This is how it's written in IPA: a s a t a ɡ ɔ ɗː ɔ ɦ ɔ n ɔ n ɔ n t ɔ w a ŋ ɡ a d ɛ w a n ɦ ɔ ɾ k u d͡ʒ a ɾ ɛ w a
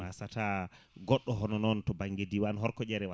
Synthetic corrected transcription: a s a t a ɡ ɔ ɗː ɔ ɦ ɔ n ɔ n ɔ n t ɔ b a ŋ ɡ e d i w a n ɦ ɔ ɾ k ɔ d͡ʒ ɛ ɾ ɛ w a